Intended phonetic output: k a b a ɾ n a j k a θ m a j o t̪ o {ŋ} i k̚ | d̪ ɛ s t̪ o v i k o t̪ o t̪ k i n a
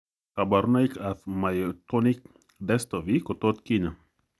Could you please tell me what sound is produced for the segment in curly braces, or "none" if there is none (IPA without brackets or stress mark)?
n